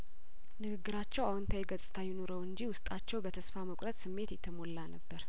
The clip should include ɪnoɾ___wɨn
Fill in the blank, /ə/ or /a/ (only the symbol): ə